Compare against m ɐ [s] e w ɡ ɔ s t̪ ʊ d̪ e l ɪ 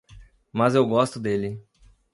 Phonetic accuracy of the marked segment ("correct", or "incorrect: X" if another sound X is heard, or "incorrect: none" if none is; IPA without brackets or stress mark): incorrect: z